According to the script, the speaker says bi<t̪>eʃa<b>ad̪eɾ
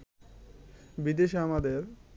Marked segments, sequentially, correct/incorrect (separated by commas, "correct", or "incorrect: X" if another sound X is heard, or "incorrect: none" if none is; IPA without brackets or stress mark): incorrect: d̪, incorrect: m